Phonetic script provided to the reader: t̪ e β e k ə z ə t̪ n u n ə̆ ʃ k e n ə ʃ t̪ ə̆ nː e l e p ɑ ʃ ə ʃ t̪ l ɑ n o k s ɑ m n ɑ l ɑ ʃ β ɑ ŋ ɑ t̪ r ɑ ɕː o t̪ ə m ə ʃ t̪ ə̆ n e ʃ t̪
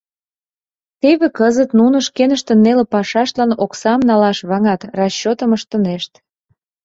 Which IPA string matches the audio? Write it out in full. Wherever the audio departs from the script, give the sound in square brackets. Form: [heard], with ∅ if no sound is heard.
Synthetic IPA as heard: t̪ e β e k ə z ə t̪ n u n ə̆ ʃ k e n ə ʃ t̪ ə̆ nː e l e p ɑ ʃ [ɑ] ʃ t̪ l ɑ n o k s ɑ m n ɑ l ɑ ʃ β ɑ ŋ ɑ t̪ r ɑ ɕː o t̪ ə m ə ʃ t̪ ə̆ n e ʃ t̪